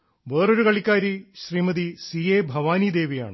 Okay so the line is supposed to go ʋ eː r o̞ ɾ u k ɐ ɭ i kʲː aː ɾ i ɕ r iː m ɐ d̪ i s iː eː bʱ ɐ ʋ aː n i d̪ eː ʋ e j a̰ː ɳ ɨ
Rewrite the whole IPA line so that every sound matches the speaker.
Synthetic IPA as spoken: ʋ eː r o̞ ɾ u k ɐ ɭ i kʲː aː ɾ i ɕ r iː m ɐ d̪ i s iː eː bʱ ɐ ʋ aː n i d̪ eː ʋ i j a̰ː ɳ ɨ